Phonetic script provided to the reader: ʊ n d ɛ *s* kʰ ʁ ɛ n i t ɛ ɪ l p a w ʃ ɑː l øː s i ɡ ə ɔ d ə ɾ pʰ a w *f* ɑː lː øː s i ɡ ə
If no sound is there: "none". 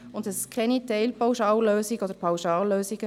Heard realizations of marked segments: s, ʃ

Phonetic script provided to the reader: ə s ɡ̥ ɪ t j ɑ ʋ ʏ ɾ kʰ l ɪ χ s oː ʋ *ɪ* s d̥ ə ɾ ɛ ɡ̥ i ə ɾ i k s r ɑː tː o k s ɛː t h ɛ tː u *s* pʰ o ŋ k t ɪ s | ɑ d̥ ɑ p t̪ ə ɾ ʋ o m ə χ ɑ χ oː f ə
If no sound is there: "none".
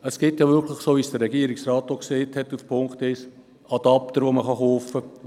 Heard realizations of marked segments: i, f

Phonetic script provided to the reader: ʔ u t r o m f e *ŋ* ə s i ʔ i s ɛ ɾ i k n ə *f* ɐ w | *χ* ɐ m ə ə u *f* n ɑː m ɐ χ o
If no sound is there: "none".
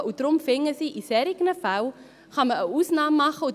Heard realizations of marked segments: ŋ, f, χ, s

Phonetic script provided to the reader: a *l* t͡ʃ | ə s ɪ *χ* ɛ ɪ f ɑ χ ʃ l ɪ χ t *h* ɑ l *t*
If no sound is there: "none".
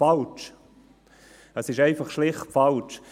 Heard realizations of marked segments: l, ʃ, f, t͡ʃ

